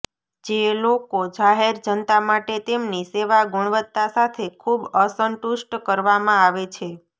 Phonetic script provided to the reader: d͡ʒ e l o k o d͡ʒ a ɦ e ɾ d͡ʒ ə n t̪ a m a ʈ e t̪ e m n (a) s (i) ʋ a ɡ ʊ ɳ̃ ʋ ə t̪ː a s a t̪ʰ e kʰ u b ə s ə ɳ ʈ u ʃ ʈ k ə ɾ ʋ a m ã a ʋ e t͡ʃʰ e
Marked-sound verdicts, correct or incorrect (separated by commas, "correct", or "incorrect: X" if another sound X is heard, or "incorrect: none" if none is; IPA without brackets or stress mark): incorrect: i, incorrect: e